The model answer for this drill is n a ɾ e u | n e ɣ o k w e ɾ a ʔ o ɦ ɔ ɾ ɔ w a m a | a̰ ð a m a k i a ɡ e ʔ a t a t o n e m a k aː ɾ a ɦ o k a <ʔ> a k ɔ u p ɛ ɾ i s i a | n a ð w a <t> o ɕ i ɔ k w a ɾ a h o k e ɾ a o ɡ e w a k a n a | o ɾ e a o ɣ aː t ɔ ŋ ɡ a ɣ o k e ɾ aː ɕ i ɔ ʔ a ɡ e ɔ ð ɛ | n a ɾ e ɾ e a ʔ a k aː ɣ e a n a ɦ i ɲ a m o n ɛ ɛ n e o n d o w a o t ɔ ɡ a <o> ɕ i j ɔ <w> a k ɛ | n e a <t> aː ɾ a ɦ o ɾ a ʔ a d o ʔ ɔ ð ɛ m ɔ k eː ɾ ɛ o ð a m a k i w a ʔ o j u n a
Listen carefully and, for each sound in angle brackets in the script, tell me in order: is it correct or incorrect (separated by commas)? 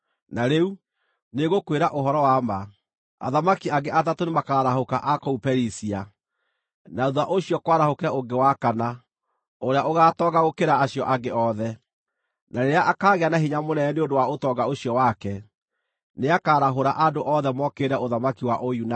correct, incorrect, correct, correct, incorrect